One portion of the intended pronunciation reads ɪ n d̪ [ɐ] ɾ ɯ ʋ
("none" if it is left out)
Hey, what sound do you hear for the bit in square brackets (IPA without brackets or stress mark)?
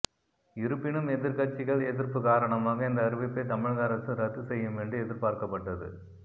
ɐː